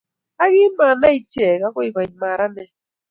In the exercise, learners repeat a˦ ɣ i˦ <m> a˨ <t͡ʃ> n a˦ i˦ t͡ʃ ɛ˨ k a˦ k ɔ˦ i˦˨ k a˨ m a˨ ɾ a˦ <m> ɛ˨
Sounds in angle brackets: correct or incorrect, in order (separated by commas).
correct, incorrect, incorrect